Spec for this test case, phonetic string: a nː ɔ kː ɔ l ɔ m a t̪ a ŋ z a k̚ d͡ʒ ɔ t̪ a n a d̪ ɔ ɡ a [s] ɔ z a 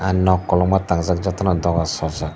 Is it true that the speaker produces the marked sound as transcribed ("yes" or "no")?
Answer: yes